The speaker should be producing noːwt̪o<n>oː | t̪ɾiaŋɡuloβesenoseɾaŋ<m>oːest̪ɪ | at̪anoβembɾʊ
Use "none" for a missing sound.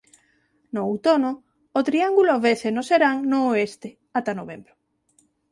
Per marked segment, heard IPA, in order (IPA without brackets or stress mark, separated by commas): n, n